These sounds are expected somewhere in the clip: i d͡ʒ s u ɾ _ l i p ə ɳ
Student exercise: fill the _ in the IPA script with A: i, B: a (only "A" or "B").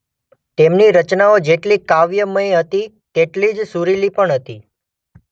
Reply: A